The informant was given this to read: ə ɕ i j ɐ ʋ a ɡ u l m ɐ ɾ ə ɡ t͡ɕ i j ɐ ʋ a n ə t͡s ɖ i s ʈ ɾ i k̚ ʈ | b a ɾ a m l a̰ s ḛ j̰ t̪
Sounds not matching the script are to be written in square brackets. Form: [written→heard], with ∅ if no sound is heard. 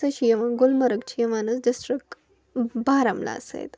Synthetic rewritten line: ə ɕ i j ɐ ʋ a ɡ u l m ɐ ɾ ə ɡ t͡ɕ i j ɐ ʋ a n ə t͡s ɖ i s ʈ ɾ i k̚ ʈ | b a ɾ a m l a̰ s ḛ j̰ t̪